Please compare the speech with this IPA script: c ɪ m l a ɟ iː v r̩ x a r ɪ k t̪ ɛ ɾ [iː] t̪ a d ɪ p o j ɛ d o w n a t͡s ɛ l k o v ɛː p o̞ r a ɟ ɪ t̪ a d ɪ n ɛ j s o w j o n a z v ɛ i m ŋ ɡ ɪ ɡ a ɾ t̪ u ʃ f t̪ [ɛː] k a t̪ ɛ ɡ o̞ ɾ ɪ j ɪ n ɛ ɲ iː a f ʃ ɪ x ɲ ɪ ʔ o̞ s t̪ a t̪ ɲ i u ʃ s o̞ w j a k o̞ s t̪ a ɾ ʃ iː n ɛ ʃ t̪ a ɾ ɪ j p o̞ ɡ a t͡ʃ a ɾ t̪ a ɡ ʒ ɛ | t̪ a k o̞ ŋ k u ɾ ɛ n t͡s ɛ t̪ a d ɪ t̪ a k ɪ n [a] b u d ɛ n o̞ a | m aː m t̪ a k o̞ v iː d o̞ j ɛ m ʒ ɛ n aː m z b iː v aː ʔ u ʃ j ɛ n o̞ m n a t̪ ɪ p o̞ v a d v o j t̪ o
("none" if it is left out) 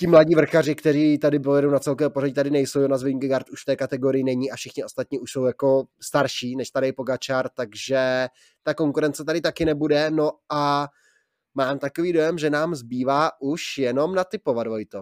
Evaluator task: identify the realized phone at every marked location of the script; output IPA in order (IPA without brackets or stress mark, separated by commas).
iː, ɛː, ɛ